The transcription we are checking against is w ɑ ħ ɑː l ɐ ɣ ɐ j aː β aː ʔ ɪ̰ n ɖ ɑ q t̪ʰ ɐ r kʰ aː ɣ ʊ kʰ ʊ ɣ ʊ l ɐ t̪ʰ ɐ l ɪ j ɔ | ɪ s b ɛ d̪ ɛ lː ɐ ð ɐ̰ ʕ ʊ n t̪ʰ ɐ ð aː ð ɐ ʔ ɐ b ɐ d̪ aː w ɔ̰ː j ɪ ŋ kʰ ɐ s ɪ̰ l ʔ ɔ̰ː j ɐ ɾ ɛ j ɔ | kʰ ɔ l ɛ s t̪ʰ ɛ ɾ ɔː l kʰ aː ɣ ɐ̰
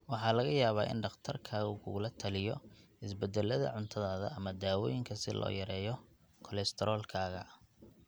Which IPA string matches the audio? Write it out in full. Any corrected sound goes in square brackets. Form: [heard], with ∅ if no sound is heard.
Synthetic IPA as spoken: w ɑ ħ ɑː l ɐ ɣ ɐ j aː β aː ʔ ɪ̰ n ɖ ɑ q t̪ʰ ɐ r kʰ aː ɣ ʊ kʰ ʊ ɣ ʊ l ɐ t̪ʰ ɐ l ɪ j ɔ | ɪ s b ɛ d̪ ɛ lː ɐ ð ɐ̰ ʕ ʊ n t̪ʰ ɐ ð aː ð ɐ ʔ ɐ [m] ɐ d̪ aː w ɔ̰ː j ɪ ŋ kʰ ɐ s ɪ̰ l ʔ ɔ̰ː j ɐ ɾ [ɛː] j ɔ | kʰ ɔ l ɛ s t̪ʰ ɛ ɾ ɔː l kʰ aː ɣ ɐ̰